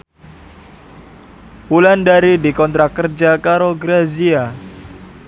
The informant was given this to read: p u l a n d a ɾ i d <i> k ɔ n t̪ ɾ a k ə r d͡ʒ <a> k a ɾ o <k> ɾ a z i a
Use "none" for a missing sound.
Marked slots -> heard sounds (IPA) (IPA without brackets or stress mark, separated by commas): i, a, ɡ